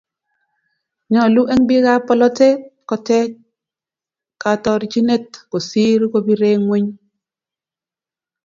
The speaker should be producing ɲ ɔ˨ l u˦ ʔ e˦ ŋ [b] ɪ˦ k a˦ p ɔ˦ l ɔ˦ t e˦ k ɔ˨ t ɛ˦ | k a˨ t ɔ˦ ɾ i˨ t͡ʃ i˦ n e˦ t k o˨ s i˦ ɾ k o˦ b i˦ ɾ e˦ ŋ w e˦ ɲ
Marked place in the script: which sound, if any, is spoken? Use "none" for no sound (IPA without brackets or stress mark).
b